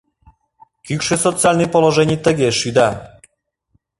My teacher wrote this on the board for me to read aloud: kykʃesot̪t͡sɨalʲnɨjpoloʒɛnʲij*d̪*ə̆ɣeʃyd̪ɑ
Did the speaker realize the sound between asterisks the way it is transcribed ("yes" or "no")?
no